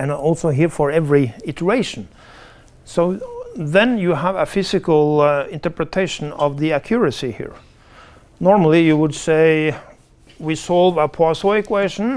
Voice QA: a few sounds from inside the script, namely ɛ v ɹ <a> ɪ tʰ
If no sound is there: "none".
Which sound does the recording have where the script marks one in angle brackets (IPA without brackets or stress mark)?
i